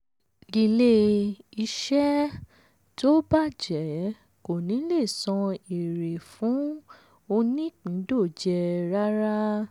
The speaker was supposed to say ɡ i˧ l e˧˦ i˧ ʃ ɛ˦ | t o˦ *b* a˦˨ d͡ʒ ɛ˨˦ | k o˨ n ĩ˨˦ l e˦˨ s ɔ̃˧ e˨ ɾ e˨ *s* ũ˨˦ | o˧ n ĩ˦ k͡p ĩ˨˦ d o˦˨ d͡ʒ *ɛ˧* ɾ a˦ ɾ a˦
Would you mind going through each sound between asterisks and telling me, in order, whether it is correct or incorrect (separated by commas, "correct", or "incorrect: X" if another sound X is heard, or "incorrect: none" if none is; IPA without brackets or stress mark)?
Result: correct, incorrect: f, correct